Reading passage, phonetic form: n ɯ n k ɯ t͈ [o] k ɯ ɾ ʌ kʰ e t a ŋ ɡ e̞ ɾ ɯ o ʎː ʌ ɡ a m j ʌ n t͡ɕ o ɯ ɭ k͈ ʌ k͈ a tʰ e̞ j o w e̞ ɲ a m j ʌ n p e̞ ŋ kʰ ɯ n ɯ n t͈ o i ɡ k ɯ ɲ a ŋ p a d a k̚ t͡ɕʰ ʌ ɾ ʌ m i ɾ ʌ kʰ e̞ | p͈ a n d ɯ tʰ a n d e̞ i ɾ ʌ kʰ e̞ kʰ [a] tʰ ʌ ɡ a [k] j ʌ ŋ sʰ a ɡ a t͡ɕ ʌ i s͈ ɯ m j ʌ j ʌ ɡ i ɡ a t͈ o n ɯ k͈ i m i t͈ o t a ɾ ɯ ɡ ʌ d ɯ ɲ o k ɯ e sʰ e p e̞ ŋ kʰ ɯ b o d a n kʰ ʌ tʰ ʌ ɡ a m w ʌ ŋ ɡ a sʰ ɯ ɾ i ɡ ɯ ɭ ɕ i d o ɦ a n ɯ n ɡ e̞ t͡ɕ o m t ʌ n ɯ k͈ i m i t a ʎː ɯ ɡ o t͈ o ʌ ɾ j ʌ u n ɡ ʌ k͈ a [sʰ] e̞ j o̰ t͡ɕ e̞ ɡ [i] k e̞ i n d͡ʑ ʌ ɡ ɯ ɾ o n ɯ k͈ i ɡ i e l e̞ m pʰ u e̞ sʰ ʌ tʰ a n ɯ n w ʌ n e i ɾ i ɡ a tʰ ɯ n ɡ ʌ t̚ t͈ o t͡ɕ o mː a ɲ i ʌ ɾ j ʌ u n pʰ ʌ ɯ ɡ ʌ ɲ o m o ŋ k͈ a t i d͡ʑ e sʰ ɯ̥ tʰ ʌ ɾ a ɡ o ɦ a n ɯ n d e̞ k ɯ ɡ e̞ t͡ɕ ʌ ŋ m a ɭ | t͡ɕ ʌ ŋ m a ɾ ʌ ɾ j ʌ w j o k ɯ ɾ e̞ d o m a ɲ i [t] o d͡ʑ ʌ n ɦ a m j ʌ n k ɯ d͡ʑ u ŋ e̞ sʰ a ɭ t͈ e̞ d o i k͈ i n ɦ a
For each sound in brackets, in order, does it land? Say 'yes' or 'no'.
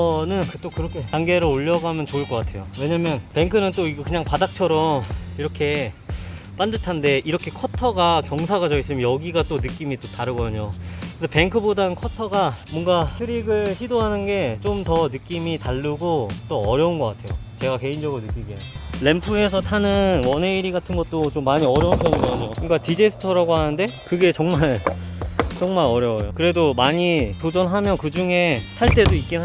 yes, no, yes, no, no, yes

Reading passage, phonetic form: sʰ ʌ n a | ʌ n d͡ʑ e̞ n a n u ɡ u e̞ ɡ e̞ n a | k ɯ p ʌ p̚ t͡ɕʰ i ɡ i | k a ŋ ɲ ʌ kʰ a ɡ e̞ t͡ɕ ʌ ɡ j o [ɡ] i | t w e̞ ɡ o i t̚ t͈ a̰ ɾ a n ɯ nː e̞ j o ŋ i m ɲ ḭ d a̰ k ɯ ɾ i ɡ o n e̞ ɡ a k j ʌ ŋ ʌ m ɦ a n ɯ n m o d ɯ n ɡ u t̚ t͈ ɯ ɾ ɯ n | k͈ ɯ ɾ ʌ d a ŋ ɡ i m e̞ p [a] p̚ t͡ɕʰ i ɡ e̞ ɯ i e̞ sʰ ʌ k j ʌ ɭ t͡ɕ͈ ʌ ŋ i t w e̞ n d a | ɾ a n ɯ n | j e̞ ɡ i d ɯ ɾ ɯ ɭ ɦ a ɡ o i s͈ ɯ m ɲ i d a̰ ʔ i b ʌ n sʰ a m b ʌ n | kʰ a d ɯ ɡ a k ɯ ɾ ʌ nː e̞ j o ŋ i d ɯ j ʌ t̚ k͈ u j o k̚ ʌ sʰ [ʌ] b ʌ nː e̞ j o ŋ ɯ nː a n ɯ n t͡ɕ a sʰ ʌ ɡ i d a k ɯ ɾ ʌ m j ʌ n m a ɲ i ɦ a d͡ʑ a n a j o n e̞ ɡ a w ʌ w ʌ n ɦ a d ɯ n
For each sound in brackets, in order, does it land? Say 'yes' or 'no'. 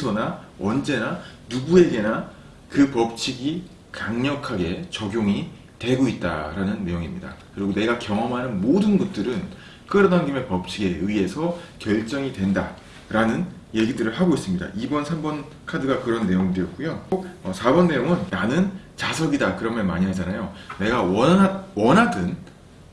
no, no, no

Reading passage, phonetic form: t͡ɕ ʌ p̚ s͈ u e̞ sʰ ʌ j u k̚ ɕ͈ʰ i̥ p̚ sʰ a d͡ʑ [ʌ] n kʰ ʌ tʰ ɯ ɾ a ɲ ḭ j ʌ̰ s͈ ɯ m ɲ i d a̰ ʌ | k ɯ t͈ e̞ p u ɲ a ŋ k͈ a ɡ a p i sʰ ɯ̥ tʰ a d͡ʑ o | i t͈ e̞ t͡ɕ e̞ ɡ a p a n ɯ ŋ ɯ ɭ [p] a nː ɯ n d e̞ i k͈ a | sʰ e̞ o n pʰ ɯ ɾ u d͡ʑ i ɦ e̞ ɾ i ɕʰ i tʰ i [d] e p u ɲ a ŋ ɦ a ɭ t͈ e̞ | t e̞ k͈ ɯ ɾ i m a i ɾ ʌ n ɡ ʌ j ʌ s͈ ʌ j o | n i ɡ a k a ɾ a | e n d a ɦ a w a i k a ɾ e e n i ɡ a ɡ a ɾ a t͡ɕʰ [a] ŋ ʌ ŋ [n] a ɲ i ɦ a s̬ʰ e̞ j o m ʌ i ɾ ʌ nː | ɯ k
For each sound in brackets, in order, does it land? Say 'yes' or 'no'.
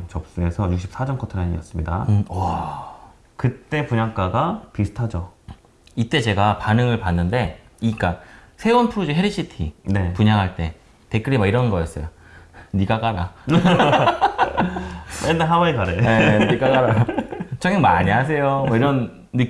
yes, yes, no, no, no

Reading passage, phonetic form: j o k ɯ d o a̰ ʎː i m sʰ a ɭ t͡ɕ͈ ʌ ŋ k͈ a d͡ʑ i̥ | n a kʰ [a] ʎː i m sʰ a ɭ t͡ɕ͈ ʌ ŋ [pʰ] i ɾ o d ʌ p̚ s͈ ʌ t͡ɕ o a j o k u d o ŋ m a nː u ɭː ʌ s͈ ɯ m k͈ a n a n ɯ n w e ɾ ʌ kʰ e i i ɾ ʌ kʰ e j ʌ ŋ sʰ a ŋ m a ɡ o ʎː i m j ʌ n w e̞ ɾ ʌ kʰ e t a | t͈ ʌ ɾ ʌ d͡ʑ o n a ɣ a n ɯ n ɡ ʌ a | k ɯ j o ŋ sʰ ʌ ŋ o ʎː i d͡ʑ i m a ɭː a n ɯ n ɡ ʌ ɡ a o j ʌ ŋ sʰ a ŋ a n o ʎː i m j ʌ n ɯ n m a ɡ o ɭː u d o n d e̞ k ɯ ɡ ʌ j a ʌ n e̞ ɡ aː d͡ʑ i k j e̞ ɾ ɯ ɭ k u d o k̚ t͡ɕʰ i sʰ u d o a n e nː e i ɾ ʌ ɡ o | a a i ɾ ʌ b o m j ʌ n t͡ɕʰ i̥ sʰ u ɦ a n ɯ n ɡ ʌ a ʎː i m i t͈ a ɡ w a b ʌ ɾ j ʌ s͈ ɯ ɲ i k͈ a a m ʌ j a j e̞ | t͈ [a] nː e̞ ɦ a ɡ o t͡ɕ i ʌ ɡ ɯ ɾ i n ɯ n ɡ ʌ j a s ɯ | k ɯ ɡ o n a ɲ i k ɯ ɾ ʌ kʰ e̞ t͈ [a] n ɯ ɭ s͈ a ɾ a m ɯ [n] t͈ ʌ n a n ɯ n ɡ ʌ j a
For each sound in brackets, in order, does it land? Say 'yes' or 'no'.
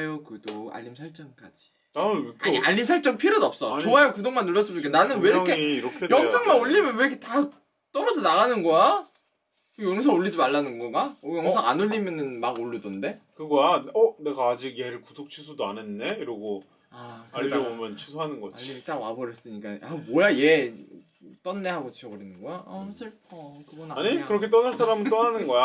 yes, yes, no, no, yes

